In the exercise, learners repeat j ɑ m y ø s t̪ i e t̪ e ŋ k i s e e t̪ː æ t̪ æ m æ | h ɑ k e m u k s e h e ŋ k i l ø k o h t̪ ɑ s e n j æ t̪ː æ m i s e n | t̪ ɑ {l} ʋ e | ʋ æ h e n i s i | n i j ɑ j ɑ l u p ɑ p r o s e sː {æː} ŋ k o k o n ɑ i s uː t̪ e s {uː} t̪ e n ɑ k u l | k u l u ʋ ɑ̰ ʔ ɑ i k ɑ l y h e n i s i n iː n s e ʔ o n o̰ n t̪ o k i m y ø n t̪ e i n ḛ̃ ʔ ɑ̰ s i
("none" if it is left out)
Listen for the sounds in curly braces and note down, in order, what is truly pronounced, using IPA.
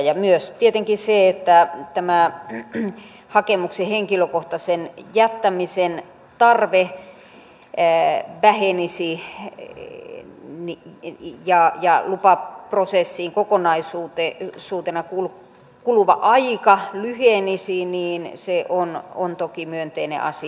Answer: r, iː, uː

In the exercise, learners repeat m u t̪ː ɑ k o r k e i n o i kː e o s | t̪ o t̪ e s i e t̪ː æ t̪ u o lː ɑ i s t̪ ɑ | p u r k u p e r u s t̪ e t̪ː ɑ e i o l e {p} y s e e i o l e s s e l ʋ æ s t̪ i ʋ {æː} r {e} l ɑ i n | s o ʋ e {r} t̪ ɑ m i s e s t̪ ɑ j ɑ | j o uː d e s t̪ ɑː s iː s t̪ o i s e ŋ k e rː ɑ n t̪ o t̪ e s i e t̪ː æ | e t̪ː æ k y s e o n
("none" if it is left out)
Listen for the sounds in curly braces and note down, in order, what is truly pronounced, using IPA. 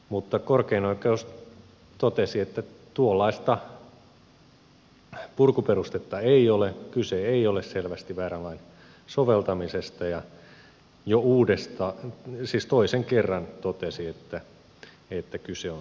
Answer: k, æː, æ, l

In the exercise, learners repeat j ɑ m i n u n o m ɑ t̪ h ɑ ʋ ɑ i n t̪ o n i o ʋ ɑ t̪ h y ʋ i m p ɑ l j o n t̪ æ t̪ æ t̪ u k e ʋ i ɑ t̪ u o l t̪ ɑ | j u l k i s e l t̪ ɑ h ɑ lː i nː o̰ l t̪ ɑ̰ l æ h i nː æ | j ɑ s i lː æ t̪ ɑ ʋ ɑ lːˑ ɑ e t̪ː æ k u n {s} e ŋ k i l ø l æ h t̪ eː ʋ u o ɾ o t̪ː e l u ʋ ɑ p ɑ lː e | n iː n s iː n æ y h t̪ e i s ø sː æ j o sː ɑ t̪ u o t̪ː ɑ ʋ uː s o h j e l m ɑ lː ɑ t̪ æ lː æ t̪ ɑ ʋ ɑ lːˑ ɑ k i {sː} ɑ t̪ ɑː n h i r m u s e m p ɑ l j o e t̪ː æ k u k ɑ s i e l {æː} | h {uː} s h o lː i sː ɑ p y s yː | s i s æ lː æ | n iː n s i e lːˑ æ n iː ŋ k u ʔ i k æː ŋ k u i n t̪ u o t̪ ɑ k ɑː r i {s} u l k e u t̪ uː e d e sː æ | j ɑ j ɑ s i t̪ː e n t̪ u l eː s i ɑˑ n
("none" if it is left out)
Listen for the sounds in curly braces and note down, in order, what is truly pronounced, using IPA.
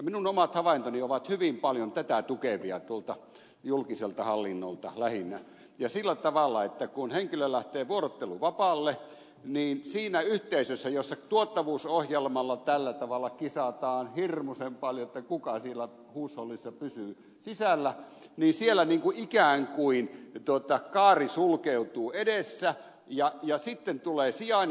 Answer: h, s, æ, uː, s

